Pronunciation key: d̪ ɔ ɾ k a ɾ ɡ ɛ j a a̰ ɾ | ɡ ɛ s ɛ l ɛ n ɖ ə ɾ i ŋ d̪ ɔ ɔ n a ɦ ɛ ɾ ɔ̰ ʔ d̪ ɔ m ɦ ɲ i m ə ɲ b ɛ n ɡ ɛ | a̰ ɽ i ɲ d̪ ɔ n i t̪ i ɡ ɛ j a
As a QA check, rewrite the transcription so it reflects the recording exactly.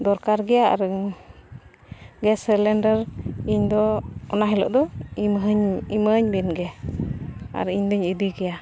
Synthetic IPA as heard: d̪ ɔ ɾ k a ɾ ɡ ɛ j a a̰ ɾ | ɡ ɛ s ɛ l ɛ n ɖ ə ɾ i ɲ d̪ ɔ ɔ n a ɦ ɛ l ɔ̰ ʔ d̪ ɔ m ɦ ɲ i m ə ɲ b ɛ n ɡ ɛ | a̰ ɾ i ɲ d̪ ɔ ɲ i d̪ i ɡ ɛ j a